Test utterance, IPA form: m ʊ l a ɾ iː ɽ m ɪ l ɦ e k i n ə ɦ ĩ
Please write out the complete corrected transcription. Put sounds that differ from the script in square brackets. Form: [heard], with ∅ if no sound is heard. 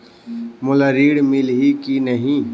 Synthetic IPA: m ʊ l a ɾ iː ɽ m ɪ l ɦ [i] k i n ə ɦ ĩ